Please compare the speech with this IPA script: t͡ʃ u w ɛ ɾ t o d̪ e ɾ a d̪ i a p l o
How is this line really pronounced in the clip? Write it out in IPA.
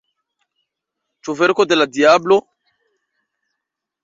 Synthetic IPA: t͡ʃ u v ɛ ɾ k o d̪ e l a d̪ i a b l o